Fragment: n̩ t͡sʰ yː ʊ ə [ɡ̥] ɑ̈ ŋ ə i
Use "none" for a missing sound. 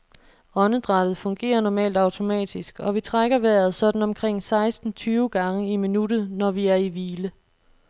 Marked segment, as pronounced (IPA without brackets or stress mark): ɡ̥